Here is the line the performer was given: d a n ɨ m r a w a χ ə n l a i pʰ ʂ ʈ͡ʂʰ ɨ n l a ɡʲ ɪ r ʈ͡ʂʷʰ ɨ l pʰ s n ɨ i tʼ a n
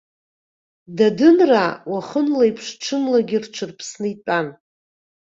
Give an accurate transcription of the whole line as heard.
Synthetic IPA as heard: d a d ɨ n r a w a χ ə n l a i pʰ ʂ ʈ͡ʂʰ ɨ n l a ɡʲ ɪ r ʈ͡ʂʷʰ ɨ r pʰ s n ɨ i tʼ a n